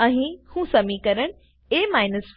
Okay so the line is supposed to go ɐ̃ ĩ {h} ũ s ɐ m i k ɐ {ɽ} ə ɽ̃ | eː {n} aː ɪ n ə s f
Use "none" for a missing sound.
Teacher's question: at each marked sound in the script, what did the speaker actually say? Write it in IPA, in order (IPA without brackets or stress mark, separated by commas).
h, ɾ, m